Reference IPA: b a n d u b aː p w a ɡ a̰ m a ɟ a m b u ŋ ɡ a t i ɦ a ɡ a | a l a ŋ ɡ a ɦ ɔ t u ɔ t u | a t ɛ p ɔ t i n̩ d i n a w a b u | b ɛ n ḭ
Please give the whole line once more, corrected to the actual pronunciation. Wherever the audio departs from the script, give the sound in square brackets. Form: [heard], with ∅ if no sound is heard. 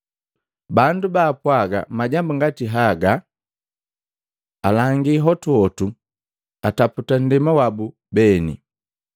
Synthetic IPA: b a n d u b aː p w a ɡ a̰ m a ɟ a m b u ŋ ɡ a t i ɦ a ɡ a | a l a ŋ ɡ [i] ɦ ɔ t u ɔ t u | a t [a] p [u] t [a] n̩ d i [m] a w a b u | b ɛ n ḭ